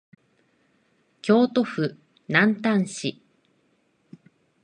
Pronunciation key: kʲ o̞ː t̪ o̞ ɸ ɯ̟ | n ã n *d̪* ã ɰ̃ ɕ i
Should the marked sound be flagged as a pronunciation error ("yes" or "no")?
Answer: yes